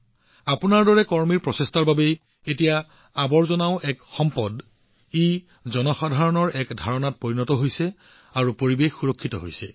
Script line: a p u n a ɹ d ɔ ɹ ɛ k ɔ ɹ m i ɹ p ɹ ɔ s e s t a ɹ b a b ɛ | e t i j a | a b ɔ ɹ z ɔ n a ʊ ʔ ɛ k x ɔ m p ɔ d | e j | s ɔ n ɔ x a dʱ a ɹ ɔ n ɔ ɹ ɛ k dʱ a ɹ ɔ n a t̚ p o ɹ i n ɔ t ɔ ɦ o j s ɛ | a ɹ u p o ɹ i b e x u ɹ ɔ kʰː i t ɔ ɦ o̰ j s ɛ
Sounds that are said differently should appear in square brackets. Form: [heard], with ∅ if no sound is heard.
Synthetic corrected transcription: a p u n a ɹ d ɔ ɹ ɛ k ɔ ɹ m i ɹ p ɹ ɔ s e s t a ɹ b a b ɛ | e t i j a | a b ɔ ɹ z ɔ n a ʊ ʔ ɛ k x ɔ m p ɔ d | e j | [z] ɔ n ɔ x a dʱ a ɹ ɔ n ɔ ɹ ɛ k dʱ a ɹ ɔ n a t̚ p o ɹ i n ɔ t ɔ ɦ o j s ɛ | a ɹ u p o ɹ i b e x u ɹ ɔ kʰː i t ɔ ɦ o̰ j s ɛ